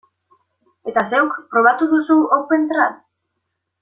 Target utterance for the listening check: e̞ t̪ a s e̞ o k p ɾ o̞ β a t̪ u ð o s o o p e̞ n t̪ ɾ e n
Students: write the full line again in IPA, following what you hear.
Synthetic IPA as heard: e̞ t̪ a s e̞ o k p ɾ o̞ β a t̪ u ð u s u o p e̞ n t̪ ɾ a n